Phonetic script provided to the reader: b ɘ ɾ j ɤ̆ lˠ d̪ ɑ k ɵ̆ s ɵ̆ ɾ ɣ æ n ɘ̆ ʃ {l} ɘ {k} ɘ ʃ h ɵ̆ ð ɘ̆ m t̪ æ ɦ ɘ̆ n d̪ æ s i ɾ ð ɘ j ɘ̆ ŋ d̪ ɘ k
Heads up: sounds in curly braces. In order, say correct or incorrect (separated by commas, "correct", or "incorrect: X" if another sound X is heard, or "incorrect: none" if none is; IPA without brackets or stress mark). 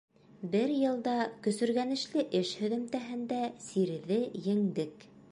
correct, incorrect: ʔ